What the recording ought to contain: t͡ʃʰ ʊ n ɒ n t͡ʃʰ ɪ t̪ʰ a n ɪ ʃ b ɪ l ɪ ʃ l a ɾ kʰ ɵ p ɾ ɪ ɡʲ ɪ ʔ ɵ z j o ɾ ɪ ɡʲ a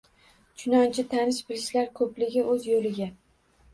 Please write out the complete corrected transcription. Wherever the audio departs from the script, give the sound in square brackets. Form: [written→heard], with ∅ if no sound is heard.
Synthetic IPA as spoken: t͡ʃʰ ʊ n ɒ n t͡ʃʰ ɪ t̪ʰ a n ɪ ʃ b ɪ l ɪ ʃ l a ɾ kʰ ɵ p [ɾ→l] ɪ ɡʲ ɪ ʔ ɵ z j o [ɾ→l] ɪ ɡʲ a